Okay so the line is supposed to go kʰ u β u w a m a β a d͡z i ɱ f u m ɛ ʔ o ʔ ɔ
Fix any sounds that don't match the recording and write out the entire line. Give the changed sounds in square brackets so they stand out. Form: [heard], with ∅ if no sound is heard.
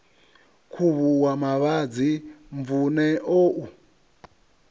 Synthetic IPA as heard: kʰ u β u w a m a β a d͡z i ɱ [v] u [n] ɛ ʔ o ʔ [u]